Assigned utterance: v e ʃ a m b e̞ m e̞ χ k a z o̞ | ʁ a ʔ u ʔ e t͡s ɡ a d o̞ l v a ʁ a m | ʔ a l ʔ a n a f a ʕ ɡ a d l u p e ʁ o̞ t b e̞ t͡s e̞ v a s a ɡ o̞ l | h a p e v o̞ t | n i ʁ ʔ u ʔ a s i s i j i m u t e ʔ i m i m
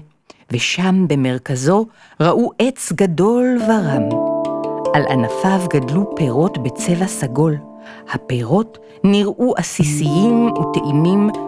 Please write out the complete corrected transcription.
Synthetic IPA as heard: v e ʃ a m b e̞ m e̞ ʁ k a z o̞ | ʁ a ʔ u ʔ e t͡s ɡ a d o̞ l v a ʁ a m | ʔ a l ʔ a n a f a v ɡ a d l u p e ʁ o̞ t b e̞ t͡s e̞ v a s a ɡ o̞ l | h a p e ʁ o̞ t | n i ʁ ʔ u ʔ a s i s i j i m u t e ʔ i m i m